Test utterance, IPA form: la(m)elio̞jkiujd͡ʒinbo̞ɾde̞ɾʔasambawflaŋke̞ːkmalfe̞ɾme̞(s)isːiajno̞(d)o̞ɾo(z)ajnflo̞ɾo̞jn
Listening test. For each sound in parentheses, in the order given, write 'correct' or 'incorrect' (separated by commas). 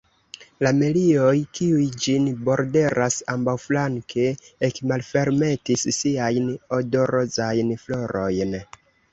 correct, incorrect, correct, correct